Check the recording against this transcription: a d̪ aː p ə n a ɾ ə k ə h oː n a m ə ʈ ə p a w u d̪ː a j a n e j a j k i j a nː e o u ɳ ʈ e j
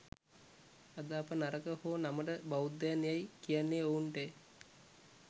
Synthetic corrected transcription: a d̪ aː p ə n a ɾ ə k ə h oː n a m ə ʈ ə b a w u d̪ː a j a n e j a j k i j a nː e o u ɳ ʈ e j